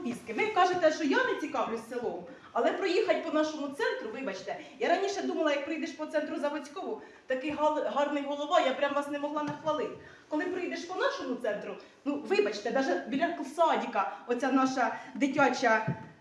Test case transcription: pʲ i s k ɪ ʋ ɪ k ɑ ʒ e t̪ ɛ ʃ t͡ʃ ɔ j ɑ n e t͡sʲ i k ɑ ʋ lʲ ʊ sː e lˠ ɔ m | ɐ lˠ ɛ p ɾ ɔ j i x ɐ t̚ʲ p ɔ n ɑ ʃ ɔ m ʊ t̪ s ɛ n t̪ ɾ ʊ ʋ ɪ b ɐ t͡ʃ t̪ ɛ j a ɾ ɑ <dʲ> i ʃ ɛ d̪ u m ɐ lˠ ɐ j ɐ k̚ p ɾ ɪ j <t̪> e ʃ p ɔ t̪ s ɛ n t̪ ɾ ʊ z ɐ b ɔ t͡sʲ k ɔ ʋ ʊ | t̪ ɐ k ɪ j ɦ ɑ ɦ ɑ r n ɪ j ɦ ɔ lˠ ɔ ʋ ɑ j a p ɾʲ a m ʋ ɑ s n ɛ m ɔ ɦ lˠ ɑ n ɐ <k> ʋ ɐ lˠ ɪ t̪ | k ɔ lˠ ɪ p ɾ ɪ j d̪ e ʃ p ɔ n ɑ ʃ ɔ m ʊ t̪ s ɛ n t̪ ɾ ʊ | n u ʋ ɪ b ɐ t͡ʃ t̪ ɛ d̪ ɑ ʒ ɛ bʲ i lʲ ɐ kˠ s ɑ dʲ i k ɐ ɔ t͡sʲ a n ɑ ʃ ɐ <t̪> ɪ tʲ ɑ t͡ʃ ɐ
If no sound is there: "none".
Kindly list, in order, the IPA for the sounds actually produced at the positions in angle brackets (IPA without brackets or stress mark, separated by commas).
nʲ, d̪, x, d̪